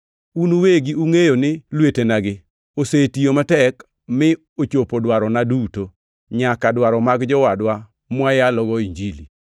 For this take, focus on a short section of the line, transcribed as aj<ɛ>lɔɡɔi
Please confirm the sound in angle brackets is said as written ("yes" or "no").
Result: no